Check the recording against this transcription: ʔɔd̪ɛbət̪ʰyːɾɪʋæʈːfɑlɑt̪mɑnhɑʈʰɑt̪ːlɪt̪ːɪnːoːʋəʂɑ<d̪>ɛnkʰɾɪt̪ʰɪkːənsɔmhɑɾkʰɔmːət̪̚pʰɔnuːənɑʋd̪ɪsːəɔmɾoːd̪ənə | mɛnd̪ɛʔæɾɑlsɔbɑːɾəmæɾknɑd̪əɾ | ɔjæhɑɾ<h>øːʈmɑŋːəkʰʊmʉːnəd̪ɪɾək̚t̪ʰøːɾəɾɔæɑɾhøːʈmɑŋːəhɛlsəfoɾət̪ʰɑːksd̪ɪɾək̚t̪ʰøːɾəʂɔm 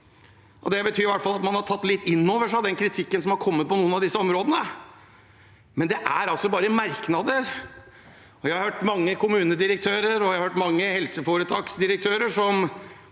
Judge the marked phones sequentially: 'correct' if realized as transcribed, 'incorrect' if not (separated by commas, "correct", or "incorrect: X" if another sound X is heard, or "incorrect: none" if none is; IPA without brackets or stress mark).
correct, correct